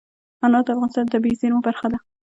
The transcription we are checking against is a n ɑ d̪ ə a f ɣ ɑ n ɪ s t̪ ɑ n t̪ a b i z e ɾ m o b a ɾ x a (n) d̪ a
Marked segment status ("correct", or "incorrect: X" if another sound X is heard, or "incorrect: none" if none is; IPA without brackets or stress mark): incorrect: none